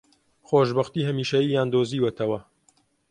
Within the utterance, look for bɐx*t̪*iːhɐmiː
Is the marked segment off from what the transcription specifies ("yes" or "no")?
no